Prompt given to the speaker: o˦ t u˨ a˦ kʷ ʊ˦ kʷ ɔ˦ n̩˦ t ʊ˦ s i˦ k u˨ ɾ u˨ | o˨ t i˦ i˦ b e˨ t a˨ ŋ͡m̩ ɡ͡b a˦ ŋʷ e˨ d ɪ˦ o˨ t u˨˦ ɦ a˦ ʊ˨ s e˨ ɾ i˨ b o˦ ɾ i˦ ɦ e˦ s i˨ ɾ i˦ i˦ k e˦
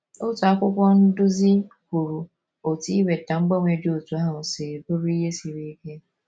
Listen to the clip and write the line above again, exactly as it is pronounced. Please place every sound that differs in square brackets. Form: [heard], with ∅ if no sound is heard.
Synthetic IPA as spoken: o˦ t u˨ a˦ kʷ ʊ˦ kʷ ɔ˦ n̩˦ [d] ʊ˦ [z] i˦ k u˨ ɾ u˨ | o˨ t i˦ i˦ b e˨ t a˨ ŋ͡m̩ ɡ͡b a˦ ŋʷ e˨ d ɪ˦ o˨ t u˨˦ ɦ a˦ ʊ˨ s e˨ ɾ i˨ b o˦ ɾ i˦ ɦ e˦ s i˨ ɾ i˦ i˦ k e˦